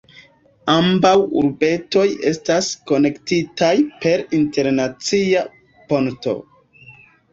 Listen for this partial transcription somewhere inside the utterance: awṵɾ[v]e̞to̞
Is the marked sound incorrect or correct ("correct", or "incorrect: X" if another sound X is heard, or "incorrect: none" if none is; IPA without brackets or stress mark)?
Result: incorrect: b